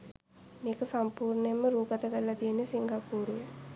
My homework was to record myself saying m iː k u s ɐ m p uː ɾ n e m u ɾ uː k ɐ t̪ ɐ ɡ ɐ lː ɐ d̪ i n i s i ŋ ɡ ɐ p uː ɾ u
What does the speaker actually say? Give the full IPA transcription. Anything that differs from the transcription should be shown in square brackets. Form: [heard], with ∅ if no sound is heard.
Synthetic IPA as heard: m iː k u s ɐ m p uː ɾ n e m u ɾ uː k ɐ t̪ ɐ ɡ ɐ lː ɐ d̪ i n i s i ŋ ɡ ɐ p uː ɾ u